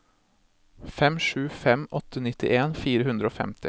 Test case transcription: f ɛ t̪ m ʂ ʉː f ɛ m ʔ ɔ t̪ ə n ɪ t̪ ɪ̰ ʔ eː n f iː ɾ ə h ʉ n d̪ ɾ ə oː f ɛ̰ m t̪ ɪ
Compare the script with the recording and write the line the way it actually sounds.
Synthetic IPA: f ɛ m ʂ ʉː f ɛ m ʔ ɔ t̪ ə n ɪ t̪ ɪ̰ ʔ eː n f iː ɾ ə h ʉ n d̪ ɾ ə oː f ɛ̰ m t̪ ɪ